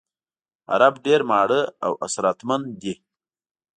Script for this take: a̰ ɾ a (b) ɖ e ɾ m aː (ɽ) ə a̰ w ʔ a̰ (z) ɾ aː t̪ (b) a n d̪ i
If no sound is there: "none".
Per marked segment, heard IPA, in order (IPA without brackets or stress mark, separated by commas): b, ɽ, s, m